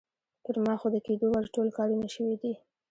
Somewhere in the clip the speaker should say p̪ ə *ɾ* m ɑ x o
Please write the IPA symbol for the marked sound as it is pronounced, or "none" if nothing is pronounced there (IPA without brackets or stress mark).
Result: ɾ